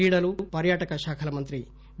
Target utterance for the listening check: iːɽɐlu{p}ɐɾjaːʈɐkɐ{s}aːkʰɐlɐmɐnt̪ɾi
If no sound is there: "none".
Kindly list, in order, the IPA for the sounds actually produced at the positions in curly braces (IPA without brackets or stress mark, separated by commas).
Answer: p, ʃ